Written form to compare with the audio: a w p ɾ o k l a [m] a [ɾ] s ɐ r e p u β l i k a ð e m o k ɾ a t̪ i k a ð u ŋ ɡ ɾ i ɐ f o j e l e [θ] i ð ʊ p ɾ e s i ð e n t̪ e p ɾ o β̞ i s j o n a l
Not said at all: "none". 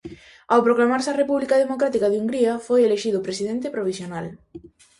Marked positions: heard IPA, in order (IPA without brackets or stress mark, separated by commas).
m, ɾ, ʃ